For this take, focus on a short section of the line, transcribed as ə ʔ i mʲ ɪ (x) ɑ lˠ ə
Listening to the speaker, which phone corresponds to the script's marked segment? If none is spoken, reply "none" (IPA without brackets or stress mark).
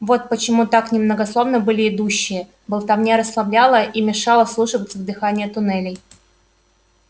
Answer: ʂ